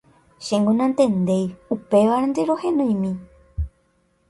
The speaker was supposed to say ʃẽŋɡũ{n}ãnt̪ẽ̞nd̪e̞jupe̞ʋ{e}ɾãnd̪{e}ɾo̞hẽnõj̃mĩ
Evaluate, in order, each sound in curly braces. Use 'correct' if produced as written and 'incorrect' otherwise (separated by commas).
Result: correct, incorrect, correct